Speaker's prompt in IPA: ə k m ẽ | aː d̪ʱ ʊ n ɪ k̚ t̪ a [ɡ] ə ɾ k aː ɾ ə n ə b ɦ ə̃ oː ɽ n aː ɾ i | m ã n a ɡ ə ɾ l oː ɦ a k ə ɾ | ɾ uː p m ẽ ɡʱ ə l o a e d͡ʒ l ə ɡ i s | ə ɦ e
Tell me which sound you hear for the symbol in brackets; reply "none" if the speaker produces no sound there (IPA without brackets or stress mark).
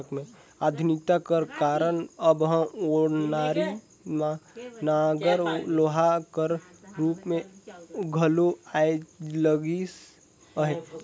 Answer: k